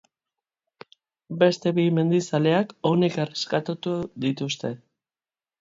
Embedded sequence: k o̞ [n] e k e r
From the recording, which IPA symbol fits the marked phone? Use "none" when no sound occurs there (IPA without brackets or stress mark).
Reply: n